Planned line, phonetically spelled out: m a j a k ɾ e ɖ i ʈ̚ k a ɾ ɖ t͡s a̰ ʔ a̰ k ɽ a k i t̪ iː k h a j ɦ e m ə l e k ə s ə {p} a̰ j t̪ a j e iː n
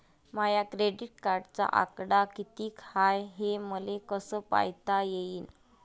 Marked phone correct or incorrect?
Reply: correct